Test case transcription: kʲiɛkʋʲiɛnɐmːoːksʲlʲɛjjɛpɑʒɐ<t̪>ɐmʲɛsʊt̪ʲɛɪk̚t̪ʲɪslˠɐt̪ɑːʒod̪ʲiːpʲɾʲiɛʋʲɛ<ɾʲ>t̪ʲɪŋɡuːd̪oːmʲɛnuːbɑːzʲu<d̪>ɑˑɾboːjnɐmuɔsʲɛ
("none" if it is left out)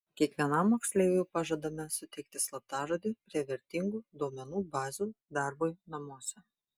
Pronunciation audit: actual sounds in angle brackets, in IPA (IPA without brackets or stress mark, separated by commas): d̪, ɾʲ, d̪